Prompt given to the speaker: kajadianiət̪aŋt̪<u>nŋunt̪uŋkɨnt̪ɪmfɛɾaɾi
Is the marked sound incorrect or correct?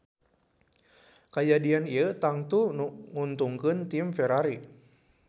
correct